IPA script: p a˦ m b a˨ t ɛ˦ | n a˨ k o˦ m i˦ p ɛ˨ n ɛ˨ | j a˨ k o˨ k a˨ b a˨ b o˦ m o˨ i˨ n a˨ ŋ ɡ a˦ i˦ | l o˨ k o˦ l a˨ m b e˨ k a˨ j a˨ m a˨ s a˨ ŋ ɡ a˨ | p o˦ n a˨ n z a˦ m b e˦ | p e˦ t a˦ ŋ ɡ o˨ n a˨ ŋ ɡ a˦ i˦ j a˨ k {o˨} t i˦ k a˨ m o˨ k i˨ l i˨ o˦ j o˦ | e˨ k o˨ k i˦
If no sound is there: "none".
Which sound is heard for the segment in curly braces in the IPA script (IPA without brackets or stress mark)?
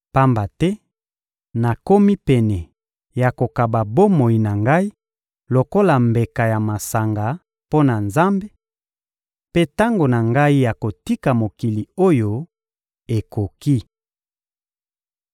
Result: o˨